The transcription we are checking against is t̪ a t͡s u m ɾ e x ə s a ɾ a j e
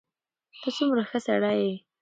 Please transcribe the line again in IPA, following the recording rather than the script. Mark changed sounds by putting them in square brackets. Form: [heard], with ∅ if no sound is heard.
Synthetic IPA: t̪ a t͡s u m ɾ [a] x ə s a [ɽ] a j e